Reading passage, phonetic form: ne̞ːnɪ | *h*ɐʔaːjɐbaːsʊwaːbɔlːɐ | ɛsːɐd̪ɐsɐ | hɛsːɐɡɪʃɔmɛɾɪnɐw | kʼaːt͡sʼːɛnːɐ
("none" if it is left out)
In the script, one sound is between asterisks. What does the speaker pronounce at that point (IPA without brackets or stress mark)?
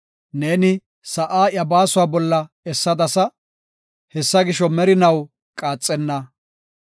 s